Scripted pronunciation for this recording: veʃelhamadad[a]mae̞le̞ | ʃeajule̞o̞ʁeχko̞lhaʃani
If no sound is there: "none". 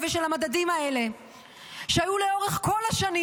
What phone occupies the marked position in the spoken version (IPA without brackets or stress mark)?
i